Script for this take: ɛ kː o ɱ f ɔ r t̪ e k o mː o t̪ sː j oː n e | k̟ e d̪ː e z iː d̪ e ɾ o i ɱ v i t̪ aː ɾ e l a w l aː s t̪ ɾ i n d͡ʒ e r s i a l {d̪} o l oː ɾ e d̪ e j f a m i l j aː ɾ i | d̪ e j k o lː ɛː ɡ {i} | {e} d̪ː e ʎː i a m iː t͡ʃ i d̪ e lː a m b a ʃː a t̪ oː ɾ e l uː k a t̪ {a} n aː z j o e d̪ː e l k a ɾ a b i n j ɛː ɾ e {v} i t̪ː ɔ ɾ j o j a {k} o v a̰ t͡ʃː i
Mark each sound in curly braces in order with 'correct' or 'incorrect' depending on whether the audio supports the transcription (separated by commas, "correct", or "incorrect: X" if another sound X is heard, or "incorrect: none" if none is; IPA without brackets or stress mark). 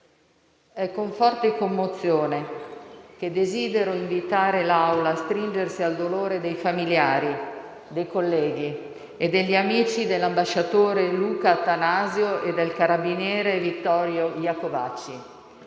correct, correct, correct, correct, correct, correct